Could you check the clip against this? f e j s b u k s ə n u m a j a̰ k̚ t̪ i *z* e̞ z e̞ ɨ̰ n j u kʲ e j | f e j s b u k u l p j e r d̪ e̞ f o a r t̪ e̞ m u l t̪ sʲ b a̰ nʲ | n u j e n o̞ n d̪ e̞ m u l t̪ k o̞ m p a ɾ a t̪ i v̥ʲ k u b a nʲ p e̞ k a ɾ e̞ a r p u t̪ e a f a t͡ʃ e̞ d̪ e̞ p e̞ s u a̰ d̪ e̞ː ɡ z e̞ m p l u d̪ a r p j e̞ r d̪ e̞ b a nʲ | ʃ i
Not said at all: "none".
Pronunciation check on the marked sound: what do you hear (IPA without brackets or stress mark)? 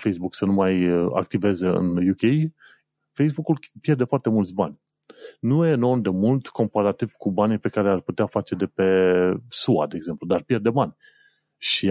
v